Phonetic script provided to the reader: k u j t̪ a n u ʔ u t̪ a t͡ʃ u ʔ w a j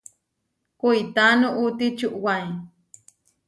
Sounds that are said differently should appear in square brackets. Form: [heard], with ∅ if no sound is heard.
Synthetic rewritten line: k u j t̪ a n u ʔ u t̪ [i] t͡ʃ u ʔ w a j